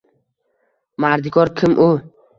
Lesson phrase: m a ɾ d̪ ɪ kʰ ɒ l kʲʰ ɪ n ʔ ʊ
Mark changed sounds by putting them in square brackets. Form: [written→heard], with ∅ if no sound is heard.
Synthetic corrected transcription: m a ɾ d̪ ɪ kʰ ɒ [l→ɾ] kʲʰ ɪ [n→m] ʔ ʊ